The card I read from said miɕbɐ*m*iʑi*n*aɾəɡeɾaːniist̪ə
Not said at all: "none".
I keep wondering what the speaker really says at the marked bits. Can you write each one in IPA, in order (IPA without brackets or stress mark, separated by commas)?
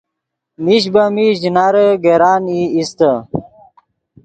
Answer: m, n